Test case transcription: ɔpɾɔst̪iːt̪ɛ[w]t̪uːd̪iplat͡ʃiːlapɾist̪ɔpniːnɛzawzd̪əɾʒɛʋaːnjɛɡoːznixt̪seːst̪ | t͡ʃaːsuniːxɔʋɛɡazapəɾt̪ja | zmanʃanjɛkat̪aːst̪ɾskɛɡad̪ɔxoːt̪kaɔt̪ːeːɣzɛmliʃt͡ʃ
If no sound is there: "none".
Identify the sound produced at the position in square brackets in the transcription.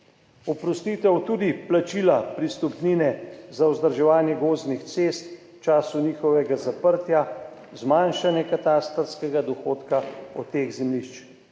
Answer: w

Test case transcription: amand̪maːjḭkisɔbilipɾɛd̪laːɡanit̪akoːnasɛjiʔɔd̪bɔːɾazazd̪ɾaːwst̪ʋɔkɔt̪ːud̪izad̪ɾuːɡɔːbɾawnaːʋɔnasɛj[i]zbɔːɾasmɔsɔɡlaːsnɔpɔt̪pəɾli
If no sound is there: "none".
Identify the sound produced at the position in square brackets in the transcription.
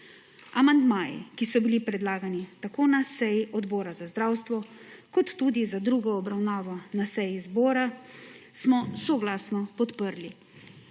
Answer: i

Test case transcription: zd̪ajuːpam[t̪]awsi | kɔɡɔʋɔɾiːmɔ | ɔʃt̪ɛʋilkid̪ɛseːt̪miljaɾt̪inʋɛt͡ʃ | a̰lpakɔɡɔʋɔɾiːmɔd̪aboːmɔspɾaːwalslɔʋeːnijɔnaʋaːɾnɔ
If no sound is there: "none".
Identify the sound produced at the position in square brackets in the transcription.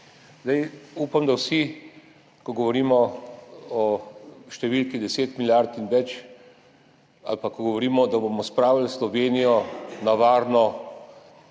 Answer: d̪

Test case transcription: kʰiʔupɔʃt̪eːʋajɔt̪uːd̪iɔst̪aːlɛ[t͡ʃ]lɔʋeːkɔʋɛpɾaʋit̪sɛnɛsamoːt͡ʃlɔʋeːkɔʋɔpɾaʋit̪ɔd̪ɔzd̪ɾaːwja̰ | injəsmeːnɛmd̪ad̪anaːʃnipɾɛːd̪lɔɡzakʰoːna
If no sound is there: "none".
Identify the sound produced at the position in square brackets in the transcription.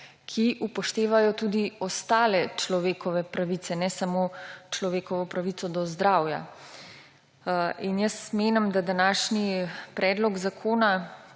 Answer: t͡ʃ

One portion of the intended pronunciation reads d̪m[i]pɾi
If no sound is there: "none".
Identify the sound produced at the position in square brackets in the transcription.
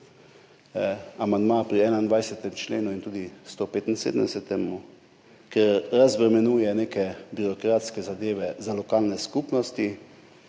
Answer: a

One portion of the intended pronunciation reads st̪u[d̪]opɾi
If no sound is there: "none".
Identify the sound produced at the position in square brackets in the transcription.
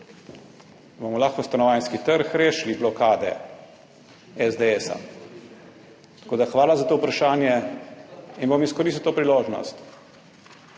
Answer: t̪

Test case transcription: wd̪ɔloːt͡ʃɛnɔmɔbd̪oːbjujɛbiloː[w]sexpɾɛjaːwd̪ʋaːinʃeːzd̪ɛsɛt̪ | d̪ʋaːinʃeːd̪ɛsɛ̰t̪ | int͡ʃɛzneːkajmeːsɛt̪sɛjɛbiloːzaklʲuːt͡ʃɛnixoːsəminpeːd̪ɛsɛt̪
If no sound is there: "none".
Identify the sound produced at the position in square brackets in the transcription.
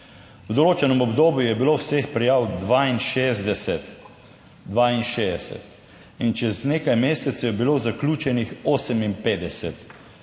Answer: w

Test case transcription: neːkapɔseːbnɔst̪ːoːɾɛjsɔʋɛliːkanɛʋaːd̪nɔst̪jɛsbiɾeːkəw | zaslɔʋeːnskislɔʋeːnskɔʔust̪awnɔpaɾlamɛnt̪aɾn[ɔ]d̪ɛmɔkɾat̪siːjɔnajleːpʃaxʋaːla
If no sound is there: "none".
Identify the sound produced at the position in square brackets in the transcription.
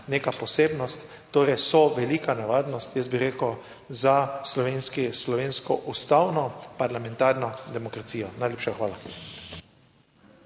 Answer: ɔ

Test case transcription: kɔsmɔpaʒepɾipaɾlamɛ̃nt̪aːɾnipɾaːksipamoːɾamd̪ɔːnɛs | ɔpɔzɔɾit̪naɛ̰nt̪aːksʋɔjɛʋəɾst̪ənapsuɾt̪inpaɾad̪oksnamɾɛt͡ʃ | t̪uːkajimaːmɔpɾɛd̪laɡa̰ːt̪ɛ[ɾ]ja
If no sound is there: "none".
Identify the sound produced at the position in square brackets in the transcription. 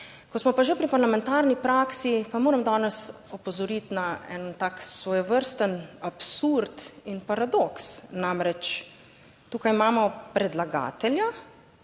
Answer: l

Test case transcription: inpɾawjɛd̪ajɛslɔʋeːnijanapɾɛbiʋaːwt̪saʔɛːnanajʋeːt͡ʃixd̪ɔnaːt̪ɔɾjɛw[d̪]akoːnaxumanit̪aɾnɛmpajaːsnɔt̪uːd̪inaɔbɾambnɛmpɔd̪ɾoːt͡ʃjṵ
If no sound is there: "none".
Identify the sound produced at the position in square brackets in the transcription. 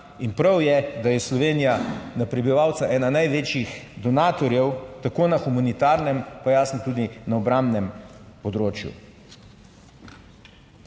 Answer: t̪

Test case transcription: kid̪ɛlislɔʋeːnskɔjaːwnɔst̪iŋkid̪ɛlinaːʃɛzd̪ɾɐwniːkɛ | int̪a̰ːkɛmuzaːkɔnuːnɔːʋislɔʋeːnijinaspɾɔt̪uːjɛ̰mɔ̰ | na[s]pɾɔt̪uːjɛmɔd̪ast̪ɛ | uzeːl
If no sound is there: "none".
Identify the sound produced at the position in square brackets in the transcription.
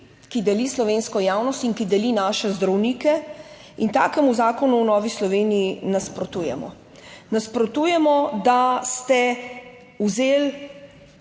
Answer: s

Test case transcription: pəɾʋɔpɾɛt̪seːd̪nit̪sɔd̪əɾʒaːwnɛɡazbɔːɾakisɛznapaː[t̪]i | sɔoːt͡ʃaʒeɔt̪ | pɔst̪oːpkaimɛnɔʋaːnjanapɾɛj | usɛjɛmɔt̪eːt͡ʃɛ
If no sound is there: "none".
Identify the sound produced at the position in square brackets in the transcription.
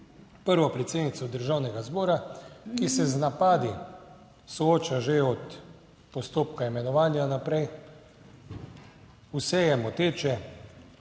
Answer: d̪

